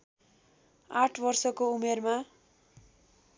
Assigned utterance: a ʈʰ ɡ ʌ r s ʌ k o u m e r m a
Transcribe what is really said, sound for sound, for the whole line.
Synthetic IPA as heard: a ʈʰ b ʌ r s ʌ k o u m e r m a

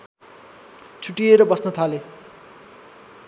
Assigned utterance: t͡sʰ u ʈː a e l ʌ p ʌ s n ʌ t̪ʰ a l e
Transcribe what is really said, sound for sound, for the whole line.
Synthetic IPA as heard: t͡sʰ u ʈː i e ɾ ʌ b ʌ s n ʌ t̪ʰ a l e

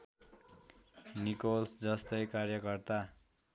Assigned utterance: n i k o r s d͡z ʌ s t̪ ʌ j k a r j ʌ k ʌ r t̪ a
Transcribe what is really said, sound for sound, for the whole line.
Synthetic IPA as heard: n i k o l s d͡z ʌ s t̪ ʌ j k a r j ʌ k ʌ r t̪ a

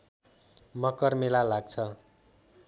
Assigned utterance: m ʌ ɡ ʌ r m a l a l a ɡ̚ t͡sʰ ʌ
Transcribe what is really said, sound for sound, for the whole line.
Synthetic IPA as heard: m ʌ k ʌ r m e l a l a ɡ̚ t͡sʰ ʌ

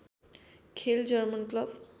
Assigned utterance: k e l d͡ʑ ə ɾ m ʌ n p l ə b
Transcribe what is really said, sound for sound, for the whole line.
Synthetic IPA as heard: kʰ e l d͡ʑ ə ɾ m ə n k l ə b

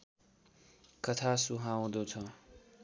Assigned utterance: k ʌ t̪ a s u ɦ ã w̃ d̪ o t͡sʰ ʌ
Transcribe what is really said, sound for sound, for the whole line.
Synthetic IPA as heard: k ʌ t̪ʰ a s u ɦ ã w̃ d̪ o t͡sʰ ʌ

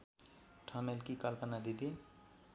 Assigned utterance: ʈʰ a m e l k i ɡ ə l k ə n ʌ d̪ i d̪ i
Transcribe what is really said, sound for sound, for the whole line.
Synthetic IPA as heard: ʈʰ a m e l k i k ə l p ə n a d̪ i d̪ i

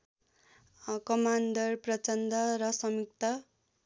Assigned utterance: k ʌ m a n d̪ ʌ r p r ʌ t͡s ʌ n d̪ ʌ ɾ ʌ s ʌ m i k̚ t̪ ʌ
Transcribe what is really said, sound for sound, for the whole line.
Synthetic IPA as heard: k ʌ m a n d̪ ʌ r p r ʌ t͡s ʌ n d̪ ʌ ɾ ʌ s ʌ m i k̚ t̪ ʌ

